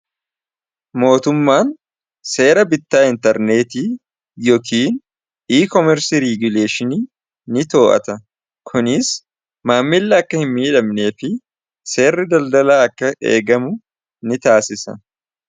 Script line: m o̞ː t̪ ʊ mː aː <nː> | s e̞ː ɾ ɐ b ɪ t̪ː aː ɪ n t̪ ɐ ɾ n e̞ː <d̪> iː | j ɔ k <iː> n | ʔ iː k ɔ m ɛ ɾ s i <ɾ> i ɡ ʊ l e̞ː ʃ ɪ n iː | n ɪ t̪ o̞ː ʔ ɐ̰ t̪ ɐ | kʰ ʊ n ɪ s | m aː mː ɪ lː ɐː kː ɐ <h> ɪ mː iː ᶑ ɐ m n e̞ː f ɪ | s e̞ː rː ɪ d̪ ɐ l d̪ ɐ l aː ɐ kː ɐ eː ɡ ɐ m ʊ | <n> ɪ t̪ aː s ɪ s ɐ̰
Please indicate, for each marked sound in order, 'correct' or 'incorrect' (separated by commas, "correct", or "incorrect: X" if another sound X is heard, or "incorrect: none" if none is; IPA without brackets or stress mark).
incorrect: n, incorrect: t̪, correct, correct, correct, correct